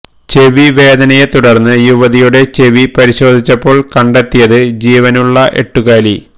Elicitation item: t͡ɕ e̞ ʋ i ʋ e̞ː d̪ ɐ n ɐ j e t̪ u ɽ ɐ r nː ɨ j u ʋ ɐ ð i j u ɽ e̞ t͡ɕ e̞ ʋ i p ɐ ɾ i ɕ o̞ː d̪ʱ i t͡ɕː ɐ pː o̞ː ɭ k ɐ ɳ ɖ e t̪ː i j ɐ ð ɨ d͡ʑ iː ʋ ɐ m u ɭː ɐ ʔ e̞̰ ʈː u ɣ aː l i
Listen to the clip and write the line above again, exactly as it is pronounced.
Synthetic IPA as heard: t͡ɕ e̞ ʋ i ʋ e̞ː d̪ ɐ n ɐ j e t̪ u ɽ ɐ r nː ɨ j u ʋ ɐ ð i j u ɽ e̞ t͡ɕ e̞ ʋ i p ɐ ɾ i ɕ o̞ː d̪ʱ i t͡ɕː ɐ pː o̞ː ɭ k ɐ ɳ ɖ e t̪ː i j ɐ ð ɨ d͡ʑ iː ʋ ɐ n u ɭː ɐ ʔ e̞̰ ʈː u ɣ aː l i